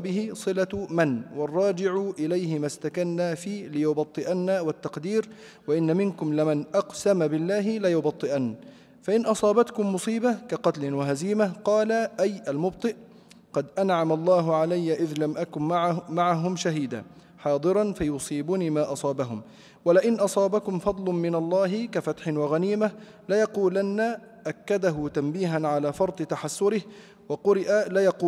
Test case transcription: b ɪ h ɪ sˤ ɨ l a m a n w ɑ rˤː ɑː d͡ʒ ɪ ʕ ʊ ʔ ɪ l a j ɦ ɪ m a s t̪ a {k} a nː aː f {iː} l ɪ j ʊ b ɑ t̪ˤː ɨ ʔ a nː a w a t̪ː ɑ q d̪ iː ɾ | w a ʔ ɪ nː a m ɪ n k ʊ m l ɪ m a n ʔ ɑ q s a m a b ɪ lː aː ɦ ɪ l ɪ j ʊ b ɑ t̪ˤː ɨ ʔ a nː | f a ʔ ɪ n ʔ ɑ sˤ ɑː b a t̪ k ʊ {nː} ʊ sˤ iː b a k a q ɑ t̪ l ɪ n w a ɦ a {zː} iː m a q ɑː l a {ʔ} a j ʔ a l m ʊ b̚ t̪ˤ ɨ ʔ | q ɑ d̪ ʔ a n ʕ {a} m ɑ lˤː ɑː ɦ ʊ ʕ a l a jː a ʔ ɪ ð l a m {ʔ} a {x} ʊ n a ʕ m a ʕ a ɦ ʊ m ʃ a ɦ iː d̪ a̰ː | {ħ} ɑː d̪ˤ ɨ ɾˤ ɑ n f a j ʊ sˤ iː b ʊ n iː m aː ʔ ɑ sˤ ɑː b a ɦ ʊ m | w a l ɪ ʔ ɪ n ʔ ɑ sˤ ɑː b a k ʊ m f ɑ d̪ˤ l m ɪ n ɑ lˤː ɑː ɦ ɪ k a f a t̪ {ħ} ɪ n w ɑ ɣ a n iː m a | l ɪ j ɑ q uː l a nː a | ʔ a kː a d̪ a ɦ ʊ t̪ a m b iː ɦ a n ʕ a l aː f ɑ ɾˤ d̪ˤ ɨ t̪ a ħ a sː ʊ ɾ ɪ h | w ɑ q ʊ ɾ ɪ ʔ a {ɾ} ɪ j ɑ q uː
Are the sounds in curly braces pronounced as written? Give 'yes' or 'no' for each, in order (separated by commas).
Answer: yes, yes, no, no, yes, yes, yes, no, yes, yes, no